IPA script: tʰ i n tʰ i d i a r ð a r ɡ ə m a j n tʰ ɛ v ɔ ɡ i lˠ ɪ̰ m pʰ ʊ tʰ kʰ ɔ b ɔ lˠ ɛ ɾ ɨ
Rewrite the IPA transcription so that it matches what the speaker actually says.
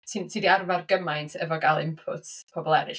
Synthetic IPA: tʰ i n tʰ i d i a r v a r ɡ ə m a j n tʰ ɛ v ɔ ɡ a lˠ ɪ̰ m pʰ ʊ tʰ pʰ ɔ b ɔ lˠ ɛ ɾ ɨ